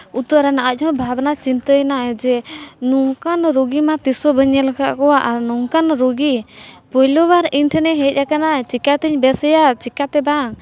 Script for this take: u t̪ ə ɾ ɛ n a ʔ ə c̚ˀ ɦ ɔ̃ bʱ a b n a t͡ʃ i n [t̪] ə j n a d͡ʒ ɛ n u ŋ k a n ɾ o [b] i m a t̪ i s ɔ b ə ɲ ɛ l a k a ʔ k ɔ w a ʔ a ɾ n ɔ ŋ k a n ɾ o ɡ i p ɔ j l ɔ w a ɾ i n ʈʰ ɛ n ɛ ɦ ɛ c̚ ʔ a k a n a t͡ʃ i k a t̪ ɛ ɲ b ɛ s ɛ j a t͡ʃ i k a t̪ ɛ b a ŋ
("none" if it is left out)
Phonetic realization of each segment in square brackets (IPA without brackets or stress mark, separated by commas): t̪, ɡ